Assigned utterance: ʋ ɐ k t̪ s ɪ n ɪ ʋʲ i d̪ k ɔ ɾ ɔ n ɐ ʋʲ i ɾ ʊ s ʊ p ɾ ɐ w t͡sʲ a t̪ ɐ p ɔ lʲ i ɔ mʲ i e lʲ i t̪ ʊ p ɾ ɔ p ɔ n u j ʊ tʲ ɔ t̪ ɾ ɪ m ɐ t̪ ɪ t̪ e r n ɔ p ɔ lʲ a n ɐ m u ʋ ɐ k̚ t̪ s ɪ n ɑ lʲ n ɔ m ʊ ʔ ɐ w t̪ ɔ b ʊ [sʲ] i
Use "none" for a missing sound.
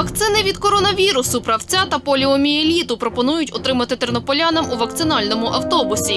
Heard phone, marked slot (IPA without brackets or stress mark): sʲ